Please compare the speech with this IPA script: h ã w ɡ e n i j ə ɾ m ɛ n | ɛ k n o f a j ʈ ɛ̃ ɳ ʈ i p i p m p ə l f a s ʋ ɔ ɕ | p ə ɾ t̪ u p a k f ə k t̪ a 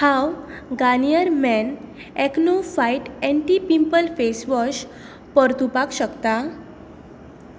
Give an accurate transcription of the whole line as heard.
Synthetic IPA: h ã w ɡ a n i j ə ɾ m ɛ n | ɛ k n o f a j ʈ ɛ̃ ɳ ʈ i p i m p ə l f e s ʋ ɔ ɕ | p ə ɾ t̪ u p a k ɕ ə k t̪ a